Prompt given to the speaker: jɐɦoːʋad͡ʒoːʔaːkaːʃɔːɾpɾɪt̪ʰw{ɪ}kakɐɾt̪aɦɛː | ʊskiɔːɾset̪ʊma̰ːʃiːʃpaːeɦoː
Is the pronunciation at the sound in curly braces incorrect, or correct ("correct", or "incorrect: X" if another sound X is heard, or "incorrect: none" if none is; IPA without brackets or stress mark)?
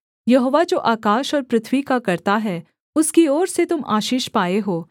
incorrect: i